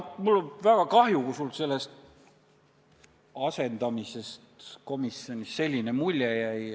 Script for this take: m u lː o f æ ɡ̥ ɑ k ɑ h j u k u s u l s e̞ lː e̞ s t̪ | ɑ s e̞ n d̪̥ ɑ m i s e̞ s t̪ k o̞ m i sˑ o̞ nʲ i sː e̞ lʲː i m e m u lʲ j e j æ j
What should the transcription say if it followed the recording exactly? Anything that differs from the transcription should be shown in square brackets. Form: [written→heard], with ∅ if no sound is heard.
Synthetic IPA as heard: m u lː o [f→v] æ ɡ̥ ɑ k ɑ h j u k u s u l s e̞ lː e̞ s t̪ | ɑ s e̞ n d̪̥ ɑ m i s e̞ s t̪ k o̞ m i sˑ o̞ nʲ i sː e̞ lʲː i [m→n] e m u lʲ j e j æ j